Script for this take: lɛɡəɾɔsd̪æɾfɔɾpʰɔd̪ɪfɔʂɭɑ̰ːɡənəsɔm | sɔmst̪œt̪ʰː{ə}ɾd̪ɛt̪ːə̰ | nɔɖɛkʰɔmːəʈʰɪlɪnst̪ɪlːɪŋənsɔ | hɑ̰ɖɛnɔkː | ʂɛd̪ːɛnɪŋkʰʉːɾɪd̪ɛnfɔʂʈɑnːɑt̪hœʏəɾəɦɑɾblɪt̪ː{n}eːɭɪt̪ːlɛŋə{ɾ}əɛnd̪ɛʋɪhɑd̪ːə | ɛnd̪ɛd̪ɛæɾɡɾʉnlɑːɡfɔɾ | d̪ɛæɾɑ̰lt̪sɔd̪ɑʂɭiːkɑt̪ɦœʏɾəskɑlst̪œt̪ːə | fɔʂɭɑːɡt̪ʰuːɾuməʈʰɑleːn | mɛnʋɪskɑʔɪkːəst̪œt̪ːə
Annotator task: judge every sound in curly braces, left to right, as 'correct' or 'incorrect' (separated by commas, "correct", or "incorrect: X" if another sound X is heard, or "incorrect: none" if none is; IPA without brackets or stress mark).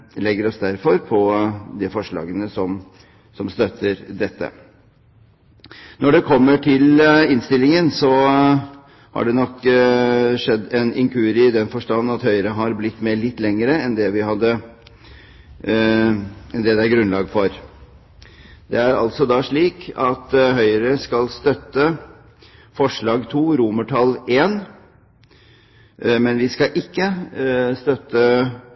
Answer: correct, incorrect: m, correct